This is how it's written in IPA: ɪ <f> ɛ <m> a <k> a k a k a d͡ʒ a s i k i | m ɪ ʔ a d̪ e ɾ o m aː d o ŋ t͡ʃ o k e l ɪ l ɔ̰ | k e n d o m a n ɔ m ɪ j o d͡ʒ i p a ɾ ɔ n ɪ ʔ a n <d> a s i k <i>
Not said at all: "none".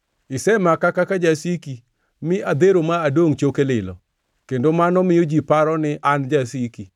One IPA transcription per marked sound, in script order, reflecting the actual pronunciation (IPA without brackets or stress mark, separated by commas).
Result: s, m, k, d͡ʒ, i